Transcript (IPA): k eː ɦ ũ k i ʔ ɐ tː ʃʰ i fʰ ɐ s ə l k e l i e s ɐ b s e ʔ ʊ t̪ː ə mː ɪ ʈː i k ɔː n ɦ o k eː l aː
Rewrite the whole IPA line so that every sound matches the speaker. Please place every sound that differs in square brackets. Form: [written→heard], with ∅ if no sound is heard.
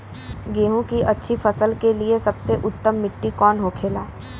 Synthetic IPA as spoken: [k→ɡ] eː ɦ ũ k i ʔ ɐ tː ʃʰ i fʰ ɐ s ə l k e l i e s ɐ b s e ʔ ʊ t̪ː ə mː ɪ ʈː i k ɔː n ɦ o [k→kʰ] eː l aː